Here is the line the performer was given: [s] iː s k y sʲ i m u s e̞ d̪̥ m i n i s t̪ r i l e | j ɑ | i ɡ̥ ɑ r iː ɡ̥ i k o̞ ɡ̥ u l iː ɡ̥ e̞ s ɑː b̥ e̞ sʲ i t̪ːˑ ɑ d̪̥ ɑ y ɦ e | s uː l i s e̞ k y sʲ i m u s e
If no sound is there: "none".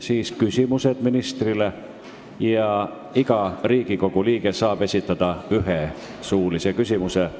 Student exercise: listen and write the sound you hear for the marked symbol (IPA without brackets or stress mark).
s